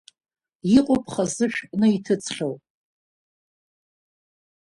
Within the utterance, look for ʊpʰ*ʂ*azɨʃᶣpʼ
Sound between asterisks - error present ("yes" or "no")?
yes